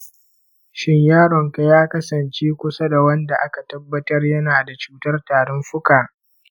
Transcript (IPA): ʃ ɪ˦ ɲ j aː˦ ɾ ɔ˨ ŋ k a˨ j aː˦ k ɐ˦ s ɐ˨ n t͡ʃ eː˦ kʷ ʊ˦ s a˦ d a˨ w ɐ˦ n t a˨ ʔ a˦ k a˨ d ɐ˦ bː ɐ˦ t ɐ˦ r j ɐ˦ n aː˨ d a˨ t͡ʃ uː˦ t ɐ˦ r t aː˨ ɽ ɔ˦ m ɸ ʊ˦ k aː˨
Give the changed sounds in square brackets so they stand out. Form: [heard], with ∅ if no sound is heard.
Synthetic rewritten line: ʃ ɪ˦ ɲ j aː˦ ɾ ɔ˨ ŋ k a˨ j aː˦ k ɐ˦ s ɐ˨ n t͡ʃ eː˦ kʷ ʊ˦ s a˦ d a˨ w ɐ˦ n [d] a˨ ʔ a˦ k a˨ [t] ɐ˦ bː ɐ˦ t ɐ˦ r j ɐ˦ n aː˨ d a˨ t͡ʃ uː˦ t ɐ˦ r t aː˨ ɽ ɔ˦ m ɸ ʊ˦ k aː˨

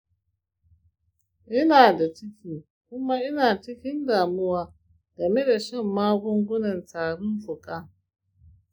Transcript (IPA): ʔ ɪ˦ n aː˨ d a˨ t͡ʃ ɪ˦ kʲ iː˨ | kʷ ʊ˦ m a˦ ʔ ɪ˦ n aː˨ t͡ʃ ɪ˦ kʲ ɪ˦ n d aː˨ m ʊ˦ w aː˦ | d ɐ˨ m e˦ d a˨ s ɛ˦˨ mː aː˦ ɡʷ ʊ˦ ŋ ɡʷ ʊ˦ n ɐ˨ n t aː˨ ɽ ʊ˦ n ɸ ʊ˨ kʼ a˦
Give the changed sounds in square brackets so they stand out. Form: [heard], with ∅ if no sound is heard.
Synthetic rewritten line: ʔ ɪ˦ n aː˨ d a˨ t͡ʃ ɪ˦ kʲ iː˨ | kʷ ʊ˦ m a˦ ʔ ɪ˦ n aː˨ t͡ʃ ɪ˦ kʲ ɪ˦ n d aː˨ m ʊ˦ w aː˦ | [ɡ] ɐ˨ m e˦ d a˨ [ʃ] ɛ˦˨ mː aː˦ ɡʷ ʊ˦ ŋ ɡʷ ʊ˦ n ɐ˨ n t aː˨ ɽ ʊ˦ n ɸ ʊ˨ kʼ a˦

